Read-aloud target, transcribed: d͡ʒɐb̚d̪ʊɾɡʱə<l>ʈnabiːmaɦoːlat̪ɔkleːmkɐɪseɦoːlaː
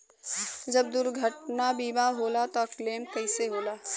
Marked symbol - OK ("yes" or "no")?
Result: no